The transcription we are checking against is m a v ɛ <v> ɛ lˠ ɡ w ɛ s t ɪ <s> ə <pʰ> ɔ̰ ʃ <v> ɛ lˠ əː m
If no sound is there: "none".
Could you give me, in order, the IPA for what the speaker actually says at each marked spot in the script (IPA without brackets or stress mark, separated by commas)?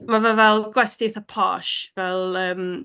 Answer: v, θ, pʰ, v